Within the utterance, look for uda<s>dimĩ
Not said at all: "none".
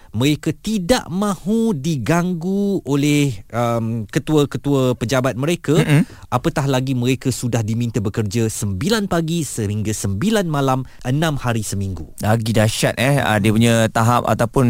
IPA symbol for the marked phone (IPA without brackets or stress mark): h